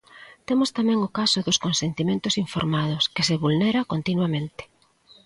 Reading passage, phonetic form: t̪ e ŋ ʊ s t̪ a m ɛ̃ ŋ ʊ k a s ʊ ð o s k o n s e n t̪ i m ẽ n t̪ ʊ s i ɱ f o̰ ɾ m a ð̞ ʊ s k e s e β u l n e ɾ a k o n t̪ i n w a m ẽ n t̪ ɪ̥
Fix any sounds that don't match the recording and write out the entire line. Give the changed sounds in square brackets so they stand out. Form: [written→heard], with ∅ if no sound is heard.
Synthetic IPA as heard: t̪ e [ŋ→m] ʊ s t̪ a m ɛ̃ ŋ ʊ k a s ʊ ð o s k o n s e n t̪ i m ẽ n t̪ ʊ s i ɱ f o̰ ɾ m a ð̞ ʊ s k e s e β u l n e ɾ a k o n t̪ i n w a m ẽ n t̪ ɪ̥